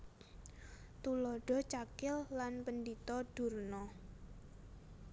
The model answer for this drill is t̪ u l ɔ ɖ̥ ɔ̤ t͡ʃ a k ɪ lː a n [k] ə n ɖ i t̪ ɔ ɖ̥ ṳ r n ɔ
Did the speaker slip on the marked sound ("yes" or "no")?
yes